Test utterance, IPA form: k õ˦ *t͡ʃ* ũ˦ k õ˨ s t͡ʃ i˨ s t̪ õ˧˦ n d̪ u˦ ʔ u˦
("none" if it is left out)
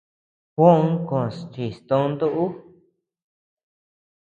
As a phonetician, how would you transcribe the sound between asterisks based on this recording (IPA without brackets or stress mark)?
none